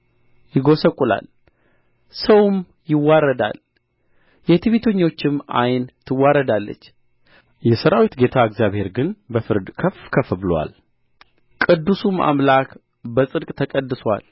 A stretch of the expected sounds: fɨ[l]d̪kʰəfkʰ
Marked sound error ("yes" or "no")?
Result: yes